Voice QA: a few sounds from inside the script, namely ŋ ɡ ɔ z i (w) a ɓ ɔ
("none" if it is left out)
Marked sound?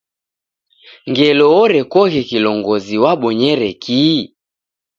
w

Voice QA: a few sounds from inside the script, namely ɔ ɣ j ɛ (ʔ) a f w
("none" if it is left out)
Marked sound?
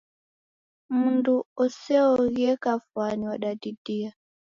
k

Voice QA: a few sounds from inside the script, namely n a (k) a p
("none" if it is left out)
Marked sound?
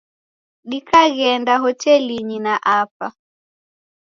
ʔ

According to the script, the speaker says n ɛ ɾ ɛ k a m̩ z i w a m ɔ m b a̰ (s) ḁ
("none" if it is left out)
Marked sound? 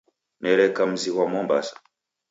s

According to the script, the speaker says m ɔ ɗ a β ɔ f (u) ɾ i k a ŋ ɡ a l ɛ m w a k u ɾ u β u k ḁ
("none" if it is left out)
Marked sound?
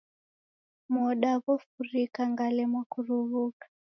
u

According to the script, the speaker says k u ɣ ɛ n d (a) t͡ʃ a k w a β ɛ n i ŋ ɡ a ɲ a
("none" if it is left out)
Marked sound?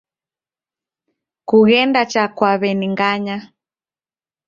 a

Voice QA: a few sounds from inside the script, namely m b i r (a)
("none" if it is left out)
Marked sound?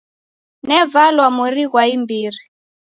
i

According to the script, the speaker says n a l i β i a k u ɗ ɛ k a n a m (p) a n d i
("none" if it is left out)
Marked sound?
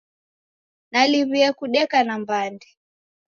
b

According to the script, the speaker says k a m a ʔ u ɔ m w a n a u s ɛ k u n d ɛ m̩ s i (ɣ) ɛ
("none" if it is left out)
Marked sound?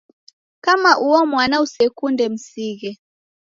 ɣ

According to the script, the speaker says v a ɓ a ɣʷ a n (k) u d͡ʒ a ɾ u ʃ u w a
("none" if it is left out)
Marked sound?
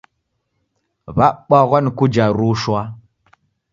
k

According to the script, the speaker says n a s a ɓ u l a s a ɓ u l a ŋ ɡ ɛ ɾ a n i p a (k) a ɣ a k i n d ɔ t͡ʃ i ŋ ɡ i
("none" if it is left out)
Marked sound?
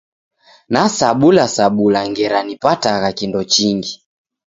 t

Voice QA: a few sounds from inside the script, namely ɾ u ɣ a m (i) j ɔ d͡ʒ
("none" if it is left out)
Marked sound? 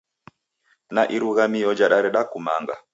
i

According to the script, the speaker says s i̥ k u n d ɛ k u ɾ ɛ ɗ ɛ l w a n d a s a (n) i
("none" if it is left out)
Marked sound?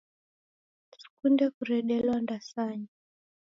ɲ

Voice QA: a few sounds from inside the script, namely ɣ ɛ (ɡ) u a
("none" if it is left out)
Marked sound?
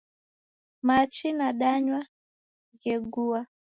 ɡ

